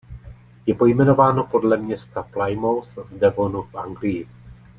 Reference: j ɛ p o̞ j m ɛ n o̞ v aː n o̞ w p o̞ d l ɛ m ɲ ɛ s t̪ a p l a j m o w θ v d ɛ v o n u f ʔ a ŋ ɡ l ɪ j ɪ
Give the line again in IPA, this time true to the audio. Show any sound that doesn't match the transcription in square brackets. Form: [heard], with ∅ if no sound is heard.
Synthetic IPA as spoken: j ɛ p o̞ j m ɛ n o̞ v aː n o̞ [∅] p o̞ d l ɛ m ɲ ɛ s t̪ a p l a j m o w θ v d ɛ v o n u f ʔ a ŋ ɡ l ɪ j ɪ